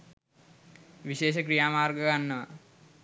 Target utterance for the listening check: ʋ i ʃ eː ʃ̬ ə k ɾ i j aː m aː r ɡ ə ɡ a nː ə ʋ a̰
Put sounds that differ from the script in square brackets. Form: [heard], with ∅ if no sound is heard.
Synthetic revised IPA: ʋ i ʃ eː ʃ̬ ə k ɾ i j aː m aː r ɡ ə ɡ a nː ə ʋ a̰